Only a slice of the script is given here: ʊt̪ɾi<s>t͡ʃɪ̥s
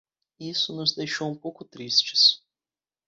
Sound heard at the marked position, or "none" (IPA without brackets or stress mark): s